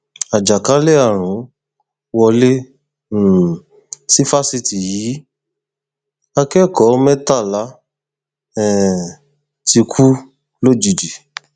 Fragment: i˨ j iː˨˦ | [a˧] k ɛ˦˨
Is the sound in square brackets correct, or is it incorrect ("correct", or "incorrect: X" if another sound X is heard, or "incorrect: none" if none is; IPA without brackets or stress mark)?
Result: correct